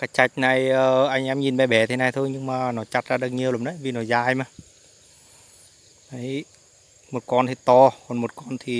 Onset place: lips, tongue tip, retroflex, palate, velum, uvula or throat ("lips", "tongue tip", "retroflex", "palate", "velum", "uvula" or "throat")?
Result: velum